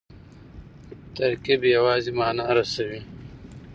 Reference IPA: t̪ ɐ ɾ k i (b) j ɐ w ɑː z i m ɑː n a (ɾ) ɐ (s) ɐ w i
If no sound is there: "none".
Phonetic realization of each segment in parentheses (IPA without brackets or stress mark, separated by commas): b, ɾ, s